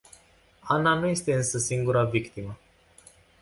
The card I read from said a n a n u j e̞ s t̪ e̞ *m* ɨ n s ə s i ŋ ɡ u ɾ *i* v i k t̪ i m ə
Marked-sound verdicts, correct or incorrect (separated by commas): incorrect, incorrect